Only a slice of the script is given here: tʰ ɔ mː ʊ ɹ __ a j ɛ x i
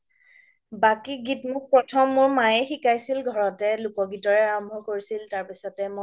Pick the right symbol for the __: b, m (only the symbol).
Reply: m